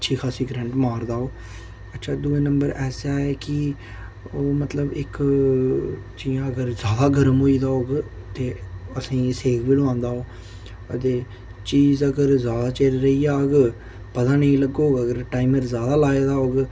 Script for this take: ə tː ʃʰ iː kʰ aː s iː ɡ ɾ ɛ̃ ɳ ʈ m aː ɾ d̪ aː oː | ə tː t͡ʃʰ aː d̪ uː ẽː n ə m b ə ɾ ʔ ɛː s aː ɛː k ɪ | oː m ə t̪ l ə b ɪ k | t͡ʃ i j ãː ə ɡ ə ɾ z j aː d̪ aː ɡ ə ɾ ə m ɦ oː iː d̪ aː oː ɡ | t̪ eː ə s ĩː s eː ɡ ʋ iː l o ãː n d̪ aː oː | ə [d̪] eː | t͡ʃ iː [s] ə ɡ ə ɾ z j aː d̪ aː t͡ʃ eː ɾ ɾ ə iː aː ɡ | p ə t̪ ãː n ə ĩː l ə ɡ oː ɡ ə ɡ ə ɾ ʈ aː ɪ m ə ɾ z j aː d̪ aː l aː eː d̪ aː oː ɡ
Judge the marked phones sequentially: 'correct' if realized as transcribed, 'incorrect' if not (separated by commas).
incorrect, incorrect